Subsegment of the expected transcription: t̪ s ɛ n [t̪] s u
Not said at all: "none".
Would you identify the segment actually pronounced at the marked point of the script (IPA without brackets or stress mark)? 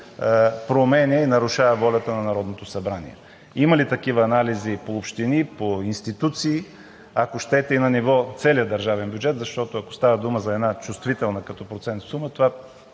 t̪